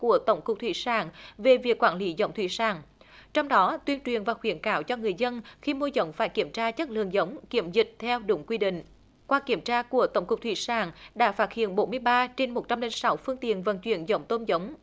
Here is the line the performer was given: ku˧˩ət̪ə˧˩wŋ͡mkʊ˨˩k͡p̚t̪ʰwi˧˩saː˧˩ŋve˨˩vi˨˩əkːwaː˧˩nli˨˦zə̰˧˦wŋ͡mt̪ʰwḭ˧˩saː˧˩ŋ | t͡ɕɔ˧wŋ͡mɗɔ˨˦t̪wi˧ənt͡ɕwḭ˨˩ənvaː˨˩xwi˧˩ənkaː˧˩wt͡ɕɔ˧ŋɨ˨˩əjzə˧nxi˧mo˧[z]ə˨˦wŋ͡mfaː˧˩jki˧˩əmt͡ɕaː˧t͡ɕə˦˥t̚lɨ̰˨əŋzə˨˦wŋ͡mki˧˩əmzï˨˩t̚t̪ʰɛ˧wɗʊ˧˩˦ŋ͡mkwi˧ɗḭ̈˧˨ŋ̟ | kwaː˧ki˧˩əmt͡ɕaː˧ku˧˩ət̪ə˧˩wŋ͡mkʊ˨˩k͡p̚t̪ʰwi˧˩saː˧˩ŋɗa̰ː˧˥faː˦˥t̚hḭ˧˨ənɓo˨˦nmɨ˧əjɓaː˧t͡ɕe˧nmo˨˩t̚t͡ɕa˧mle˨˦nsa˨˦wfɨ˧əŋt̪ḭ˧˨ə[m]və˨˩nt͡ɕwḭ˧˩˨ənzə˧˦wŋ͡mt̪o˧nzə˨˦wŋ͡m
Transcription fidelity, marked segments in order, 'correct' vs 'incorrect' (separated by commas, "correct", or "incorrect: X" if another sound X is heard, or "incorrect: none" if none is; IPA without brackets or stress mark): correct, incorrect: n